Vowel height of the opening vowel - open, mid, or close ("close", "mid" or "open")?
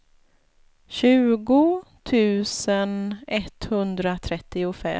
close